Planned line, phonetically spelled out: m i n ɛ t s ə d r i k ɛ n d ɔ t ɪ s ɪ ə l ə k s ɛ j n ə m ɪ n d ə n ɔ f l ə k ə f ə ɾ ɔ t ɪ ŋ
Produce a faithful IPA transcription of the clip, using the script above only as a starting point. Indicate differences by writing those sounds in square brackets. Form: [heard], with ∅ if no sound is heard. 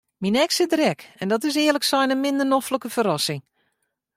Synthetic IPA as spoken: m i n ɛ [k] s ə d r [ɛ] k ɛ n d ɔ t ɪ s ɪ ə l ə k s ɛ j n ə m ɪ n d ə n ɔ f l ə k ə f ə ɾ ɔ [s] ɪ ŋ